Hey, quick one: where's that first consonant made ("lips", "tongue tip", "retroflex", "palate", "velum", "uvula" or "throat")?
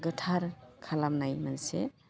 velum